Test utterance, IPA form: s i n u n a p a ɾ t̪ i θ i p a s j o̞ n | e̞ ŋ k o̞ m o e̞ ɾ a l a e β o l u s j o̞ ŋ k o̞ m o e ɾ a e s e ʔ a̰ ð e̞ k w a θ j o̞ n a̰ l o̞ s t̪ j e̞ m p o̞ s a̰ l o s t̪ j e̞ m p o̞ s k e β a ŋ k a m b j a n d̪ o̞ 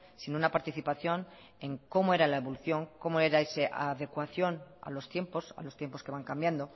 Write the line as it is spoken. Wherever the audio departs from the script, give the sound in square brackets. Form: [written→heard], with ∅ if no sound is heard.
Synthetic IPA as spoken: s i n u n a p a ɾ t̪ i θ i p a [s→θ] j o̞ n | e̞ ŋ k o̞ m o e̞ ɾ a l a e β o l u [s→θ] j o̞ ŋ k o̞ m o e ɾ a e s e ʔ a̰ ð e̞ k w a θ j o̞ n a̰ l o̞ s t̪ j e̞ m p o̞ s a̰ l o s t̪ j e̞ m p o̞ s k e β a ŋ k a m b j a n d̪ o̞